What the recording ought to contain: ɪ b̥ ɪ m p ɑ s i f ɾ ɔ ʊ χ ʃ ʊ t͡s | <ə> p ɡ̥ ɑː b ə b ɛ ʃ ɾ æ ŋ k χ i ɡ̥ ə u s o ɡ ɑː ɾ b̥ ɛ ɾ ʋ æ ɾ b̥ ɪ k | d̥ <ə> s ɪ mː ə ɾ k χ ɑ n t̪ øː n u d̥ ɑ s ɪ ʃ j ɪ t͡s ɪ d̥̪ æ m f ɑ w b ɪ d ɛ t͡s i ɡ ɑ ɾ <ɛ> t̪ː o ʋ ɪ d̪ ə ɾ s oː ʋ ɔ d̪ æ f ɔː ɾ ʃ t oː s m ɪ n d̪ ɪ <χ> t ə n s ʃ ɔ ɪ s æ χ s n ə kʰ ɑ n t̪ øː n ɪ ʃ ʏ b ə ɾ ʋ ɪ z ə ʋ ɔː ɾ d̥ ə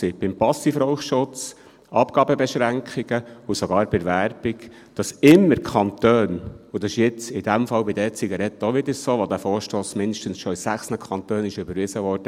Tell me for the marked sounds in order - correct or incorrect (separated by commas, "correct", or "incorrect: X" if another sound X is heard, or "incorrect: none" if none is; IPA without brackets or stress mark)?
incorrect: ɑ, incorrect: ɑ, correct, incorrect: ʃ